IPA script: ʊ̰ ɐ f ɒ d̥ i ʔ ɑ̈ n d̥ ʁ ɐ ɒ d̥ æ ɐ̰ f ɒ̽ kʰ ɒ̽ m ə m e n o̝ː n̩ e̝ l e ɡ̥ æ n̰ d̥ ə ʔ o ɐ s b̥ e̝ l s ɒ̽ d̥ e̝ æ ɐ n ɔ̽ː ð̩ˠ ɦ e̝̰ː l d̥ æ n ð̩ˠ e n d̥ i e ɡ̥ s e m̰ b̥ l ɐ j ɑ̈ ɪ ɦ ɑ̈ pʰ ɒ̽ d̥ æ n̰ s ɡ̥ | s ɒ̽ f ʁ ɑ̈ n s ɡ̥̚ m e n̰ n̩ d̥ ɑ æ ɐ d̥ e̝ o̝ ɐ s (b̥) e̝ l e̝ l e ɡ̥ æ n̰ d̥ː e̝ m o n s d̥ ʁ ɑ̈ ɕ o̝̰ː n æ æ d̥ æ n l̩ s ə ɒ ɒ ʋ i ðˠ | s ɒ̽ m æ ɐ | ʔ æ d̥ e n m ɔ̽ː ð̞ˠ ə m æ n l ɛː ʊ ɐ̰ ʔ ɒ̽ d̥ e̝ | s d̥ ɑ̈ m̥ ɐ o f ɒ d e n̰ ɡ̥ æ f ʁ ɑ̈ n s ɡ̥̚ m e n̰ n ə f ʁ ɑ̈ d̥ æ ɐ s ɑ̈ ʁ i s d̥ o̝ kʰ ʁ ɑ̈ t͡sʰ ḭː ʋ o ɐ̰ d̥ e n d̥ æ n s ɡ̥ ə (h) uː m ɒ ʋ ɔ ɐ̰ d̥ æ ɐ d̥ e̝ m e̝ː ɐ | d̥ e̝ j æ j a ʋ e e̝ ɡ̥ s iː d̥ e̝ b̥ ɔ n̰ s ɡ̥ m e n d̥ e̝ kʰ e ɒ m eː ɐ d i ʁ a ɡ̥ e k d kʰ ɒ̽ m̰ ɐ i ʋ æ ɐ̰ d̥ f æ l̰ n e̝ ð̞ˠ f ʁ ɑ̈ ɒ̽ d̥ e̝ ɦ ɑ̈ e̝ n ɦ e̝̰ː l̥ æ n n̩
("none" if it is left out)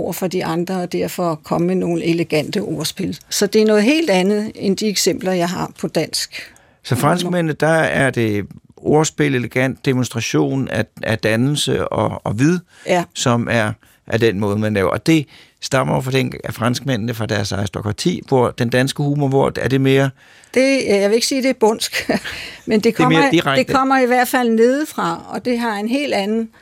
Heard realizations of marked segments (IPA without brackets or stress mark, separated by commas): b̥, h